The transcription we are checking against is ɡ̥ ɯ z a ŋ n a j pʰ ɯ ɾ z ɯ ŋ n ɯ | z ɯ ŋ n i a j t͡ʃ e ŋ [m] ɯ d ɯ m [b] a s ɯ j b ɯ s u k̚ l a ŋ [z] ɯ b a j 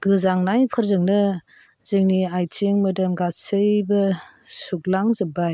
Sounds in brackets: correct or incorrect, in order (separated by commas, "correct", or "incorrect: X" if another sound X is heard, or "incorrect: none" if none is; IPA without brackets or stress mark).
correct, incorrect: ɡ, correct